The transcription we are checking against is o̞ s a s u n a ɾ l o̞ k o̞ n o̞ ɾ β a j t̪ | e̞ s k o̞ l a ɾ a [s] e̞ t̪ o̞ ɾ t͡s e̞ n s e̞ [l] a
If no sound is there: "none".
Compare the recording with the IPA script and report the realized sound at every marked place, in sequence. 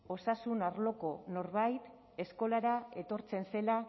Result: none, l

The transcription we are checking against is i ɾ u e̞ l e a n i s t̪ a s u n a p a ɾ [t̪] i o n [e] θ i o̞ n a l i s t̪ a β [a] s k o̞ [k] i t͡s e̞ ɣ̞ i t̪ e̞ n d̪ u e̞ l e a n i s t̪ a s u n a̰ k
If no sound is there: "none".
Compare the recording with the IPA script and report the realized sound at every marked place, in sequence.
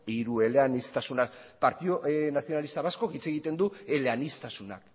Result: t̪, a, a, k

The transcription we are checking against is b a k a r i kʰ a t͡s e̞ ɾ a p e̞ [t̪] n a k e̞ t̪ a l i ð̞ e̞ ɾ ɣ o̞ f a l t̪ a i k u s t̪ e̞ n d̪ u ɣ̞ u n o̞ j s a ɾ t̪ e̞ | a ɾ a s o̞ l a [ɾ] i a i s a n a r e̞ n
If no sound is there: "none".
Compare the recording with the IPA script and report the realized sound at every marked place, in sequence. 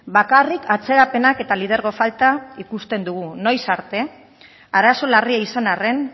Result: none, r

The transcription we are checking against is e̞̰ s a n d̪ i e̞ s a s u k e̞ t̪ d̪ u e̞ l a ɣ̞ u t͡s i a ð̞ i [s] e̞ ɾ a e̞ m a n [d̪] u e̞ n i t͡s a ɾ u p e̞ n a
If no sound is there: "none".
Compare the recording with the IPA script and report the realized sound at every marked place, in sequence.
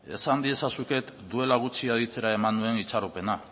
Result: t͡s, d̪

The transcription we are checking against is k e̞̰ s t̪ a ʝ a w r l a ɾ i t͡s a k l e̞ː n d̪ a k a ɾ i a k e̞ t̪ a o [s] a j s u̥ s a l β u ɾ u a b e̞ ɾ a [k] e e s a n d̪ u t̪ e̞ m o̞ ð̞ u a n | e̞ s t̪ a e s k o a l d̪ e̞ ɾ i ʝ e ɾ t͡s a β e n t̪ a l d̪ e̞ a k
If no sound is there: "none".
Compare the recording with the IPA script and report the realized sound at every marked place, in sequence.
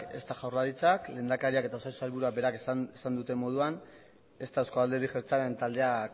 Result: s, k

